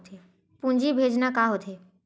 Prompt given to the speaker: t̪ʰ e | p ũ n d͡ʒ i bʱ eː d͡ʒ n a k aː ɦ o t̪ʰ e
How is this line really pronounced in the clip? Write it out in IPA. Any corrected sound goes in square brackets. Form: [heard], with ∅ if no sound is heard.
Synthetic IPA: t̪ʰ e | p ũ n d͡ʒ i bʱ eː d͡ʒ n a k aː ɦ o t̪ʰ e